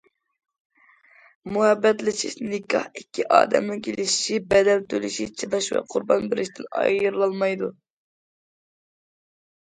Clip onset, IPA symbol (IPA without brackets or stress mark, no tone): m